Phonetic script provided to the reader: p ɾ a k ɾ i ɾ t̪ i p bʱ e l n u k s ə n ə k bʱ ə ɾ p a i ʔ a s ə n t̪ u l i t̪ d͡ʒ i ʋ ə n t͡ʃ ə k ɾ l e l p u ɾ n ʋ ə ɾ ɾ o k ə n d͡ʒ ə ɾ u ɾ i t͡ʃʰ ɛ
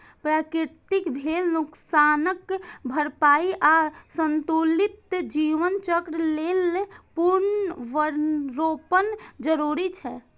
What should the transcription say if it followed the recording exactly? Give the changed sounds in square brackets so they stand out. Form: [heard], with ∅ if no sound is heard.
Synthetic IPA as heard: p ɾ a k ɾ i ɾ t̪ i [k] bʱ e l n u k s [a] n ə k bʱ ə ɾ p a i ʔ a s ə n t̪ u l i t̪ d͡ʒ i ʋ ə n t͡ʃ ə k ɾ l e l p u ɾ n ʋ ə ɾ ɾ o [p] ə n d͡ʒ ə ɾ u ɾ i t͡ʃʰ ɛ